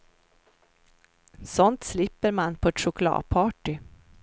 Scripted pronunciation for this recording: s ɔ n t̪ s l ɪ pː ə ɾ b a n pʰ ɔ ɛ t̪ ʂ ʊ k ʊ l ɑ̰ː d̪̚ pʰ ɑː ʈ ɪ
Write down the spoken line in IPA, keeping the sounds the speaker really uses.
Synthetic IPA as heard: s ɔ n t̪ s l ɪ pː ə ɾ m a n pʰ ɔ ɛ t̪ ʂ ʊ k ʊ l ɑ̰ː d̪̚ pʰ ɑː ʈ ɪ